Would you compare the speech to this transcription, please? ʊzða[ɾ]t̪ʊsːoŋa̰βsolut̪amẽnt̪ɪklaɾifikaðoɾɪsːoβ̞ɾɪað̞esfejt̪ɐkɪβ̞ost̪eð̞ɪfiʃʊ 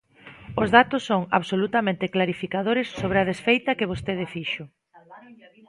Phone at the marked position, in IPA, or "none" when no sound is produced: none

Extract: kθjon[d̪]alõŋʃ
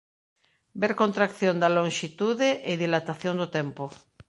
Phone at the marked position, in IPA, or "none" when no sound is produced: d̪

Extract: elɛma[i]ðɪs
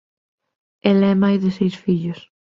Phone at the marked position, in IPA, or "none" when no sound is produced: j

